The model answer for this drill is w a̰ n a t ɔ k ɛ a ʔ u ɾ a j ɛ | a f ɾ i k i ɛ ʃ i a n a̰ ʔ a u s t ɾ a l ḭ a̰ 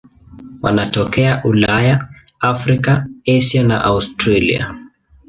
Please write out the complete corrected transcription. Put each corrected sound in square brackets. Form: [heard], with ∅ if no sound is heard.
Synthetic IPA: w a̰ n a t ɔ k ɛ a ʔ u [l] a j [a] | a f ɾ i k [a] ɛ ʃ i a n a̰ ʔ a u s t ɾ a l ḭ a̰